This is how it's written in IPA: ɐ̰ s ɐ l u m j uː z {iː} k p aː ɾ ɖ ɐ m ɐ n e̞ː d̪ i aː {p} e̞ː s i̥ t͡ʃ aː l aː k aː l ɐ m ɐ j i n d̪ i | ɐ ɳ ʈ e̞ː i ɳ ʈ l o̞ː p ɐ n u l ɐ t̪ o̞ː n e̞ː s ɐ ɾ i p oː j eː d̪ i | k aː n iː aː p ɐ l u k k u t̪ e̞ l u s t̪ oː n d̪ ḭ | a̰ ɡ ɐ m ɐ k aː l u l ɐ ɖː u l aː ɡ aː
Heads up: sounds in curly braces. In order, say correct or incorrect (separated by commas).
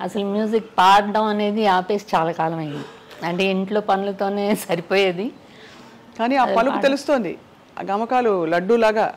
incorrect, correct